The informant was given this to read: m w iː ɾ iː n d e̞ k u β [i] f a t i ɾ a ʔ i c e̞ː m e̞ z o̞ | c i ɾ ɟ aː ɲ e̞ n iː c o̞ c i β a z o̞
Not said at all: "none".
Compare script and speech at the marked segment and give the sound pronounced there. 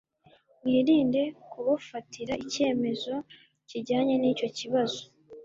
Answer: a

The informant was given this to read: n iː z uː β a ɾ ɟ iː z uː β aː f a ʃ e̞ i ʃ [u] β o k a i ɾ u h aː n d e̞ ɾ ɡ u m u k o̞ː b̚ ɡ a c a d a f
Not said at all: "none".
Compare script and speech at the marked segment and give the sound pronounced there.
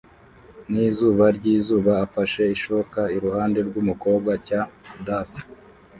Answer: o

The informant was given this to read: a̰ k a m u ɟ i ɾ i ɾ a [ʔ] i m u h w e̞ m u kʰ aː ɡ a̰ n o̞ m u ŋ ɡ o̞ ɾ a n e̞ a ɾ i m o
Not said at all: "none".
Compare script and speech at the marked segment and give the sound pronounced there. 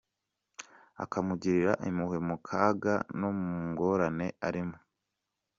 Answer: ʔ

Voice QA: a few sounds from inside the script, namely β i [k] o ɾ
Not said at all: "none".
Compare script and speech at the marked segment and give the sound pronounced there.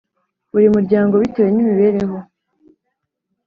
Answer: t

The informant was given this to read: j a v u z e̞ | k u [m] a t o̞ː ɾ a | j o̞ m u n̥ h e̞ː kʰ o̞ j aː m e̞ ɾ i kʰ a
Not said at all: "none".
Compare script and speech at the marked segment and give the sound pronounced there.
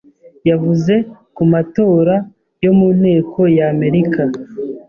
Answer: m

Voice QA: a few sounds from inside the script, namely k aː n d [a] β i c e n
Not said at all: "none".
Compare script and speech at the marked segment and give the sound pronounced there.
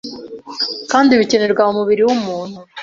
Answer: i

